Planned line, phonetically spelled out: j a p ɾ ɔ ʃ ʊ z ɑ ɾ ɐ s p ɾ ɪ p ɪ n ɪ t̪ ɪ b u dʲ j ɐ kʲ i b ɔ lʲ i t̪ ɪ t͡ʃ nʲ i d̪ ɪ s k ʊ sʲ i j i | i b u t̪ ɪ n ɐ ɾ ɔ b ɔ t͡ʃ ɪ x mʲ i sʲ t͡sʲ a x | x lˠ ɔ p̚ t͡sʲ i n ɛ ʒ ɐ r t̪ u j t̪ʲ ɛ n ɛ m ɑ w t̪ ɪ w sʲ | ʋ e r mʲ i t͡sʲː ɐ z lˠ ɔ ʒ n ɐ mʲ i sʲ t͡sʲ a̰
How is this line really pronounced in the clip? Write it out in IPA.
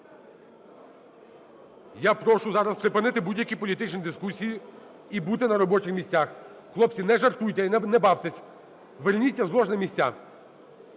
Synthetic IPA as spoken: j a p ɾ ɔ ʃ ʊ z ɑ ɾ ɐ s p ɾ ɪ p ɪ n ɪ t̪ ɪ b u dʲ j ɐ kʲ i p ɔ lʲ i t̪ ɪ t͡ʃ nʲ i d̪ ɪ s k u sʲ i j i | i b u t̪ ɪ n ɐ ɾ ɔ b ɔ t͡ʃ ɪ x mʲ i sʲ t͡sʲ a x | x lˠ ɔ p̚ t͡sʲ i n ɛ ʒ ɐ r t̪ u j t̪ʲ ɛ n ɛ b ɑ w t̪ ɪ sʲ | ʋ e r nʲ i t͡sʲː ɐ z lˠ ɔ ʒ n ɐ mʲ i sʲ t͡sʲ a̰